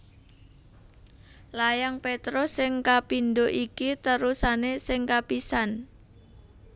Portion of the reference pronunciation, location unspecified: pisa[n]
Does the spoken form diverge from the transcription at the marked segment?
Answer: no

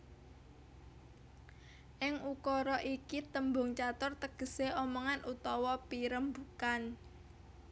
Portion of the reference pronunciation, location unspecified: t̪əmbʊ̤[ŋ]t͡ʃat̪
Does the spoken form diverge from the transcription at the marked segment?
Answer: no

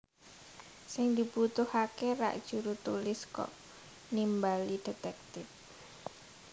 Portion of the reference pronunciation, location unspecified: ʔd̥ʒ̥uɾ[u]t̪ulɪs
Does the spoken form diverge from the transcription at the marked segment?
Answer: no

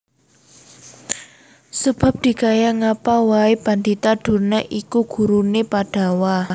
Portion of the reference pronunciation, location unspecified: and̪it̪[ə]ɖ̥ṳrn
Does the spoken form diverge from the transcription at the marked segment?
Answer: yes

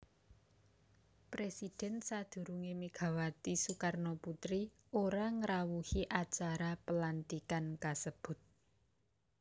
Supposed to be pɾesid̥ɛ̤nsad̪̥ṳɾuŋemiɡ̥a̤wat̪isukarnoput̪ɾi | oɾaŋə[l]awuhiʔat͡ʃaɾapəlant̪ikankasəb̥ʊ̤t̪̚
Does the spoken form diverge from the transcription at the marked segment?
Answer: yes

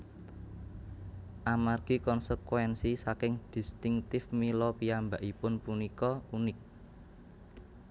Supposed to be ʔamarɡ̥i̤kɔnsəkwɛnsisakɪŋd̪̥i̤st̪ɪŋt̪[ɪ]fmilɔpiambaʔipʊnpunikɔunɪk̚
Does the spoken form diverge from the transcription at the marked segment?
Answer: no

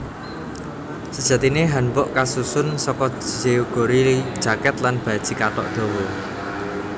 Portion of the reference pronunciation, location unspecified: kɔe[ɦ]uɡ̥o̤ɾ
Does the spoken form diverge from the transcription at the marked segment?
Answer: yes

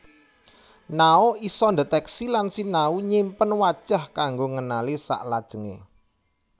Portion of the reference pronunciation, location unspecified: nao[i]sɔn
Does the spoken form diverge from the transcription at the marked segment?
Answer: no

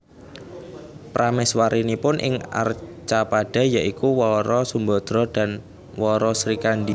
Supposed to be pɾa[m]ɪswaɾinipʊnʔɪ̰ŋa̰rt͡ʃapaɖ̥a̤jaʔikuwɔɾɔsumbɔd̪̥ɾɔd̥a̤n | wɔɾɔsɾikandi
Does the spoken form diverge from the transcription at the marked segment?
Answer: no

